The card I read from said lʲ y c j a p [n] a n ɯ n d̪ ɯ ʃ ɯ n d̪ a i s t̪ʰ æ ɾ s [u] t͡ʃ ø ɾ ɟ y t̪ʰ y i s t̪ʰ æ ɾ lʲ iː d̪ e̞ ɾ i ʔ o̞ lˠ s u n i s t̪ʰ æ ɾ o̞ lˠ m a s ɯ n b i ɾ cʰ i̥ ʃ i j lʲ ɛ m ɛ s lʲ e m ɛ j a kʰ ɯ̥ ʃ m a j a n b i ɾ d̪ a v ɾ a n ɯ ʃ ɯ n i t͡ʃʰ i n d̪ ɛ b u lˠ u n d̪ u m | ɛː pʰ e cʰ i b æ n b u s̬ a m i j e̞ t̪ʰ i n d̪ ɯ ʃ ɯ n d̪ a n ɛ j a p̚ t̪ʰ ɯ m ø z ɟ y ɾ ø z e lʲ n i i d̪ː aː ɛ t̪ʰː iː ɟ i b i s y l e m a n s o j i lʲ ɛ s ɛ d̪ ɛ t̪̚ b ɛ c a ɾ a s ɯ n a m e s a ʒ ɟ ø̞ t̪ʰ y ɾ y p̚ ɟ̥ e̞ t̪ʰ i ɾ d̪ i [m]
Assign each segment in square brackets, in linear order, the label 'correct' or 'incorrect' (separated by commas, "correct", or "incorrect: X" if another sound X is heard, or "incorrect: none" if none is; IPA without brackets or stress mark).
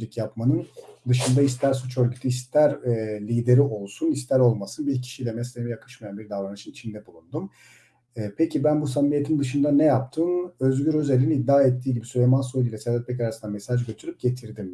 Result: incorrect: m, correct, correct